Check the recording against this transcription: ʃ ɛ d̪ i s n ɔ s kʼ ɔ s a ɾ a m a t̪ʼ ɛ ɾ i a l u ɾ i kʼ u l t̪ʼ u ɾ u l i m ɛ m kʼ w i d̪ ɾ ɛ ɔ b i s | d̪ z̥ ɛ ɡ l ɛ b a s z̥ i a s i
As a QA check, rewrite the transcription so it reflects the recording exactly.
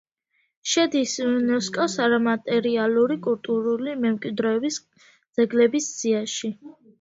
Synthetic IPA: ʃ ɛ d̪ i s n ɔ s kʼ ɔ s a ɾ a m a t̪ʼ ɛ ɾ i a l u ɾ i kʼ u l t̪ʼ u ɾ u l i m ɛ m kʼ w i d̪ ɾ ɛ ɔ b i s | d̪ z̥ ɛ ɡ l ɛ b i s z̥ i a ʃ i